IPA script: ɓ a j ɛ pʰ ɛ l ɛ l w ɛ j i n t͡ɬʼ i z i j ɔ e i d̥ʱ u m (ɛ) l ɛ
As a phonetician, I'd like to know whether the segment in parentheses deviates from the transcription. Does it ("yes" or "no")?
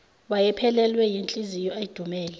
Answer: yes